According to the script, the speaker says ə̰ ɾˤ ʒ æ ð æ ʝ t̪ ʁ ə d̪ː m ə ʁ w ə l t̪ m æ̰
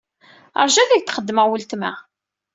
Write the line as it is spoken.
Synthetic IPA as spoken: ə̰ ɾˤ ʒ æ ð æ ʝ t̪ χ ə d̪ː m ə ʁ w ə l t̪ m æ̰

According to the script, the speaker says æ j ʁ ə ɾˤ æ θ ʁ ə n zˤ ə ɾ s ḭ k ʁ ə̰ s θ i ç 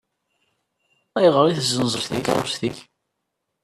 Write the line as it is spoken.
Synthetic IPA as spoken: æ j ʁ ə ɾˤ i θ z ə n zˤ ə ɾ θ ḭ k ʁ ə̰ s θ i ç

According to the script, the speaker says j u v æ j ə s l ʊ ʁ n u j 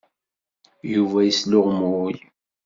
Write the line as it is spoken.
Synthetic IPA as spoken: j u v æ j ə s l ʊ ʁ m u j

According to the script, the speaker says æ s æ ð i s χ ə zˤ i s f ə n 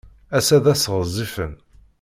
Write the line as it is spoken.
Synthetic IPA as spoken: æ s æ ð æ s ʁ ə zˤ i f ə n

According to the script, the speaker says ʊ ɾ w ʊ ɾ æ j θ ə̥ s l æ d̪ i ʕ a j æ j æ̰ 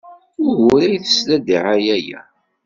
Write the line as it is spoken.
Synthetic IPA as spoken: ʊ ɾ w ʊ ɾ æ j θ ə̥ s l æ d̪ i ʕ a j æ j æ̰

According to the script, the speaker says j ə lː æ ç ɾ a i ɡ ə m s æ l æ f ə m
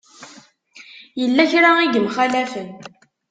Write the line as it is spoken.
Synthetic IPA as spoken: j ə lː æ ç ɾ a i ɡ ə m χ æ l æ f ə n

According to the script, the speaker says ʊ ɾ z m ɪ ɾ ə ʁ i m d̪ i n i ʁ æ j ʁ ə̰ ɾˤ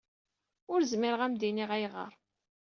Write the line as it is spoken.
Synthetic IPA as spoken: ʊ ɾ z m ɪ ɾ ə ʁ æ m d̪ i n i ʁ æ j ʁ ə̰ ɾˤ

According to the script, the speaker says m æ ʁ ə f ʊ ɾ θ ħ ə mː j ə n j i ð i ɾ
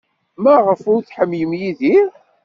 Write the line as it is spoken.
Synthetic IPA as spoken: m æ ʁ ə f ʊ ɾ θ ħ ə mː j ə m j i ð i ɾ

